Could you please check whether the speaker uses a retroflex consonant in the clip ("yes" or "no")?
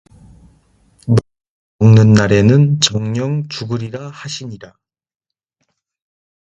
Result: no